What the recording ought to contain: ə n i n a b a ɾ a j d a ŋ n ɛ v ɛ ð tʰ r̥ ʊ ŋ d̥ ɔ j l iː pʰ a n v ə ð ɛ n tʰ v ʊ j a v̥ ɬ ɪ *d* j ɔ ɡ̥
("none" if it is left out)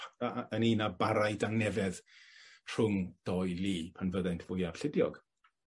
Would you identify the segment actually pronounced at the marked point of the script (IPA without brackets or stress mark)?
d